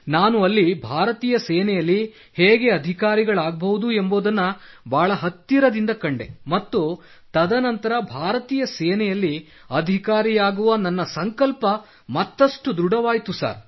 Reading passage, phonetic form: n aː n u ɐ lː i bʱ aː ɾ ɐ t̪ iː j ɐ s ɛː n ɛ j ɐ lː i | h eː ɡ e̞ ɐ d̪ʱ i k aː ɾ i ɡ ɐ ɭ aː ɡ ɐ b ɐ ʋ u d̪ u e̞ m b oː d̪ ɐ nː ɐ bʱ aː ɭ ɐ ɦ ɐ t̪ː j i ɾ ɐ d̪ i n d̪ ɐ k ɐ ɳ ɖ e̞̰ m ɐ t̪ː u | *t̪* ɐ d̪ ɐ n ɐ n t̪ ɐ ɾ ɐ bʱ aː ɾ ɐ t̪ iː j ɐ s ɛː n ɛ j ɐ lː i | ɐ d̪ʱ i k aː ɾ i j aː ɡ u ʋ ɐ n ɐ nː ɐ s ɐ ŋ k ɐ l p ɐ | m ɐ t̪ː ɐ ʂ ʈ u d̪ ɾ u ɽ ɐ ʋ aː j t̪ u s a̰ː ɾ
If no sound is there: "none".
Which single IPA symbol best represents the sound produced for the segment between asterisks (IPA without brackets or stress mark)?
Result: t̪